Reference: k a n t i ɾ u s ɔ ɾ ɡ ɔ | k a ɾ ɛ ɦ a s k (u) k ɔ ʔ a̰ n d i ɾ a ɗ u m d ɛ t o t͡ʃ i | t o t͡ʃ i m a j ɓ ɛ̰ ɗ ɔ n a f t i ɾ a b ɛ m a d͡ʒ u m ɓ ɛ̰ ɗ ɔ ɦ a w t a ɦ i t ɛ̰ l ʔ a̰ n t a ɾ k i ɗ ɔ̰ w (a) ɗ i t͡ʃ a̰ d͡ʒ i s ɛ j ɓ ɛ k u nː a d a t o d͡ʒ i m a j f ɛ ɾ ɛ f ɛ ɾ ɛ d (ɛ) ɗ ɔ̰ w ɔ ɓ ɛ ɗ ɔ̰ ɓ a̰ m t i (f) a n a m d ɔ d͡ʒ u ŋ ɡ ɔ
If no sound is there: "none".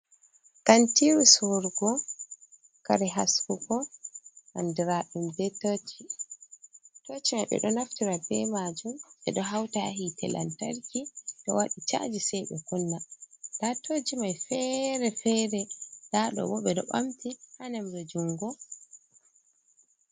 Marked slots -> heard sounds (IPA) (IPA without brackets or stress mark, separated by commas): u, a, a, h